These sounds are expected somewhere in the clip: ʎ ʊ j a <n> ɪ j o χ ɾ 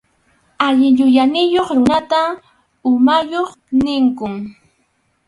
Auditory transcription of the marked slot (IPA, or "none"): n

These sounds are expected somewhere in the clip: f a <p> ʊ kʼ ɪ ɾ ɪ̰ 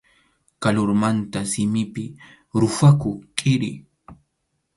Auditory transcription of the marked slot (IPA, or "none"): k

